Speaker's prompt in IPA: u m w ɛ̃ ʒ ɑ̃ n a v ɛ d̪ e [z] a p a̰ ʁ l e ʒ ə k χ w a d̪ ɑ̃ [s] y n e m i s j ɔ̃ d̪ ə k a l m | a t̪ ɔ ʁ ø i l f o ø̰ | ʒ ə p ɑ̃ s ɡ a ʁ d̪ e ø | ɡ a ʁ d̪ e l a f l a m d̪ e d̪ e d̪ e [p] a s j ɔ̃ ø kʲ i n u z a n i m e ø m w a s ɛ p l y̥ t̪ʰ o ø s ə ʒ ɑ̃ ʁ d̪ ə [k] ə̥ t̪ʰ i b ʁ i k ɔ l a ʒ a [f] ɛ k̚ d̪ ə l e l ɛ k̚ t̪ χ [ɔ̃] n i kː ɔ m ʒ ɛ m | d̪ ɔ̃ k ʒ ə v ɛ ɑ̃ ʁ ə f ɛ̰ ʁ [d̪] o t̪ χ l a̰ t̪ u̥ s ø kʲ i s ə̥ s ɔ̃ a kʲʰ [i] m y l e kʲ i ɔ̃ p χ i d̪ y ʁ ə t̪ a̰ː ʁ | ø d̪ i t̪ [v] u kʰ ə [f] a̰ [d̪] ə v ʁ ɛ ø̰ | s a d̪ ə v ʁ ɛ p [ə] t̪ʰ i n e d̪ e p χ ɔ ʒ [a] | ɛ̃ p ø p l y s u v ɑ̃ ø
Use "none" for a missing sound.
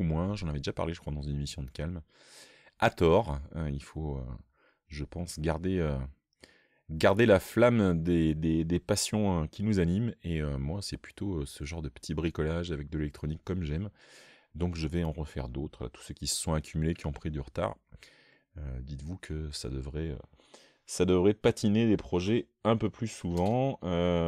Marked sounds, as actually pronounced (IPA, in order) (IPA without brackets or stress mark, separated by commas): ʒ, z, p, p, v, ɔ, d̪, y, v, s, d̪, a, ɛ